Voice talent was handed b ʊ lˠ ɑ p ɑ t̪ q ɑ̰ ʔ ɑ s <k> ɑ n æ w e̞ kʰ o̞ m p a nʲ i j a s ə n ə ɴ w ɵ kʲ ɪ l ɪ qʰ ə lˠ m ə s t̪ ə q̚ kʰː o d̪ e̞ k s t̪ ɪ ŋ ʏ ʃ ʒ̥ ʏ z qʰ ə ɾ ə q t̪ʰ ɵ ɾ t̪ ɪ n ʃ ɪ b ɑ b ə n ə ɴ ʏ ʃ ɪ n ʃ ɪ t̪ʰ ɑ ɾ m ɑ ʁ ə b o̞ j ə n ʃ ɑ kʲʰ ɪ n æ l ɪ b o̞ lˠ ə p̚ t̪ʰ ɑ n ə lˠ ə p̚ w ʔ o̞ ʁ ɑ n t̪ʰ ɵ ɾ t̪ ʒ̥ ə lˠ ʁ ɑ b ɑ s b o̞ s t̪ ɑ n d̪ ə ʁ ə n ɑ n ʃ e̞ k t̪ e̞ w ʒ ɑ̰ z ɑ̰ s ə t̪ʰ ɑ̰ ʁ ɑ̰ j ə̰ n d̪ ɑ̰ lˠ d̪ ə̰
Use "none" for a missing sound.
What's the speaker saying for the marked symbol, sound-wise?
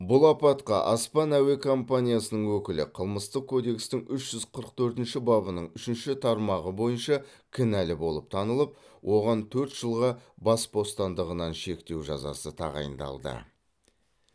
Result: p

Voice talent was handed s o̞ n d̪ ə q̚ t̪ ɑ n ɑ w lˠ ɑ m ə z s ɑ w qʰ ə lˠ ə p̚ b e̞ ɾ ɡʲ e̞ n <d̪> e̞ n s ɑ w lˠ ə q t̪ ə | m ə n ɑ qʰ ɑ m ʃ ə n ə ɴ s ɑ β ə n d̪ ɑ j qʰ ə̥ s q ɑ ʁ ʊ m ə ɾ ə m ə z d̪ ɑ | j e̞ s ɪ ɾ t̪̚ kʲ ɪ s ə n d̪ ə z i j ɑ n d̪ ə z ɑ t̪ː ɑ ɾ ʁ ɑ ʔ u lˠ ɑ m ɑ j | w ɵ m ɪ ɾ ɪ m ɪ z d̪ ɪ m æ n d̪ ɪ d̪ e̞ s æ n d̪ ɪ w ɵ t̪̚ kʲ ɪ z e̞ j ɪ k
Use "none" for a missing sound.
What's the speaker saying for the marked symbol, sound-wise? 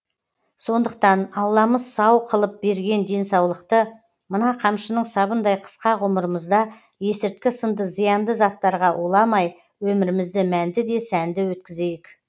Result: d̪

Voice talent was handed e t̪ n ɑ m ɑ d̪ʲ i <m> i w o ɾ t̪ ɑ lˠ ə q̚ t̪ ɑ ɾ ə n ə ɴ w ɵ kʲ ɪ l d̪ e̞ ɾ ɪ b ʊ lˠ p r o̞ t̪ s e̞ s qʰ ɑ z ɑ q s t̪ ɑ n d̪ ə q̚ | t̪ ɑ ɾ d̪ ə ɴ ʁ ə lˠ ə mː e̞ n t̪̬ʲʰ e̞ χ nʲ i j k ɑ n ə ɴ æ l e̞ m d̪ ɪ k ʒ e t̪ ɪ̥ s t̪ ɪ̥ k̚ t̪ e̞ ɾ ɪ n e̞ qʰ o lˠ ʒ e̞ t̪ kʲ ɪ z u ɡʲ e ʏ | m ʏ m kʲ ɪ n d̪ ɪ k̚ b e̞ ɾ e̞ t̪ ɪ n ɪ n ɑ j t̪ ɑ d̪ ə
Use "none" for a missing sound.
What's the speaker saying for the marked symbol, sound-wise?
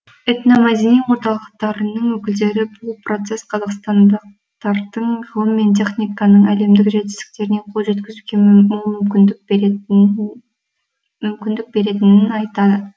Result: n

